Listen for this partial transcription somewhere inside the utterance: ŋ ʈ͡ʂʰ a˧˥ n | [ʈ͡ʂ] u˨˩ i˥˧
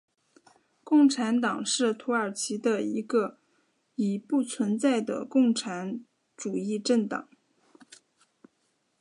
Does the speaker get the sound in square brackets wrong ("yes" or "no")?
no